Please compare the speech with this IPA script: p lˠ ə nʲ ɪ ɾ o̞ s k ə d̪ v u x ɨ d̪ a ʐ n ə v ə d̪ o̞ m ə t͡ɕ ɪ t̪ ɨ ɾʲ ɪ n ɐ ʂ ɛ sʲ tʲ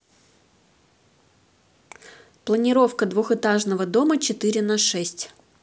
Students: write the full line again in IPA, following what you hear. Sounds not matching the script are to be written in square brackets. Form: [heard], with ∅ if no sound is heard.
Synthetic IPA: p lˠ ə nʲ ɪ ɾ o̞ [f] k ə d̪ v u x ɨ [t̪] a ʐ n ə v ə d̪ o̞ m ə t͡ɕ ɪ t̪ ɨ ɾʲ ɪ n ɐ ʂ ɛ sʲ tʲ